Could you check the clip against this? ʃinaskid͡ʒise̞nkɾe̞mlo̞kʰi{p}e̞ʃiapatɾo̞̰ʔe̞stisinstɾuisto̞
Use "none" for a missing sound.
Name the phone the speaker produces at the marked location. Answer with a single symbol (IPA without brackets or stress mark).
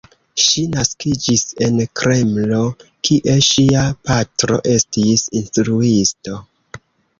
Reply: ʔ